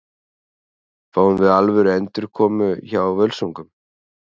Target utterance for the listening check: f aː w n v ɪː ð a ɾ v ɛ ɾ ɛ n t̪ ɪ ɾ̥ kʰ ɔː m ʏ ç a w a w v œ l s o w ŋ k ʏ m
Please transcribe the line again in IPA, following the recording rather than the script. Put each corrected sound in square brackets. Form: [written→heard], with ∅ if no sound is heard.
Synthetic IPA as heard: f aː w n v [ɪː→ɪ] ð a [ɾ→l] v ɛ ɾ ɛ n t̪ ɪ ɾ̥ kʰ ɔː m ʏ ç a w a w v œ l s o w ŋ k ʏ m

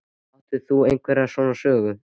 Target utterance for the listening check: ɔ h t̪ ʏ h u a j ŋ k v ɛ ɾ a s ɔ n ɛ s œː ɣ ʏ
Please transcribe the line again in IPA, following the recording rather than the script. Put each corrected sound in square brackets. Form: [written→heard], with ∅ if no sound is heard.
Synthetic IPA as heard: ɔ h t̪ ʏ [h→θ] u [a→e] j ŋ k v ɛ ɾ a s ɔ n [ɛ→a] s œː ɣ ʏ

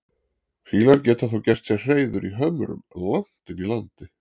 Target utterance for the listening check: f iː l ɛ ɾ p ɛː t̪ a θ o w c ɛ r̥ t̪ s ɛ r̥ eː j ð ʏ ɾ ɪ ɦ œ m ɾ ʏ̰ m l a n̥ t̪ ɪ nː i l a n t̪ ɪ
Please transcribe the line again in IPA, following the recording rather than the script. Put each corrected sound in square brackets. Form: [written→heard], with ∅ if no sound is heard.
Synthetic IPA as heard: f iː l [ɛ→a] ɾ [p→c] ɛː t̪ a θ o w c ɛ r̥ t̪ s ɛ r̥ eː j ð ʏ ɾ [ɪ→i] ɦ œ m ɾ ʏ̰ m l a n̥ t̪ ɪ [nː→n] i l a n t̪ ɪ

